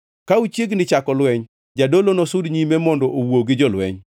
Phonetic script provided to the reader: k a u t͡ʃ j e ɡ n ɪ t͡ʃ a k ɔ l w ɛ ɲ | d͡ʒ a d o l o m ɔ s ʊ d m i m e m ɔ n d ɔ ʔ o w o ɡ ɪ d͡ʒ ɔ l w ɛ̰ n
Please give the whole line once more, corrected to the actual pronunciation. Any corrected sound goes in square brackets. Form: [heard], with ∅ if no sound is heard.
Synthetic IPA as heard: k a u t͡ʃ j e ɡ n ɪ t͡ʃ a k ɔ l w ɛ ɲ | d͡ʒ a d o l o [n] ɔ s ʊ d [ɲ] i m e m ɔ n d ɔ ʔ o w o ɡ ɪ d͡ʒ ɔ l w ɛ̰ [ɲ]